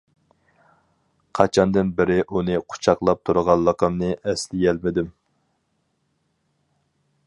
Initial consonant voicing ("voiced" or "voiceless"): voiceless